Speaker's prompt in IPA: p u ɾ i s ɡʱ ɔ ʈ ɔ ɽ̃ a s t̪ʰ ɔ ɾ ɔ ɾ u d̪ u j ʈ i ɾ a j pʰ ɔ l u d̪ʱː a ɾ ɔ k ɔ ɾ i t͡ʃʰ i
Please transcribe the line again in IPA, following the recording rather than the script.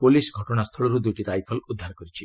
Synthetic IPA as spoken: p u l i s ɡʱ ɔ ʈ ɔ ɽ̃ a s t̪ʰ ɔ ɭ ɔ ɾ u d̪ u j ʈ i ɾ a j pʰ ɔ l u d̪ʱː a ɾ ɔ k ɔ ɾ i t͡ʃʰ i